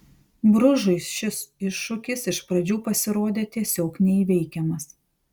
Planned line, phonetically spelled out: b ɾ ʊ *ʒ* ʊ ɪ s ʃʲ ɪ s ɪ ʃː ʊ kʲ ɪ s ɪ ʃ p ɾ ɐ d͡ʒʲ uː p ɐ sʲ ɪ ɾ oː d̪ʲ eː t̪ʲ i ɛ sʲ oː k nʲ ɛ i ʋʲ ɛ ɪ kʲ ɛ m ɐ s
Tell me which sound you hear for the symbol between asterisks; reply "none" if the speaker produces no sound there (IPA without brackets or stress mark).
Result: ʒ